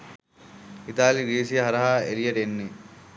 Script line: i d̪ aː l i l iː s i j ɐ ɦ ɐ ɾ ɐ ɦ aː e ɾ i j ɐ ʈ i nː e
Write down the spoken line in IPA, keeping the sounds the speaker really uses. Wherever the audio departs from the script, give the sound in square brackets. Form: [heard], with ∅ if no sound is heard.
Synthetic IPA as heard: i [t̪] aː l i [ɾ] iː s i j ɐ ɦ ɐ ɾ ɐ ɦ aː e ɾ i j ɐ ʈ [e] nː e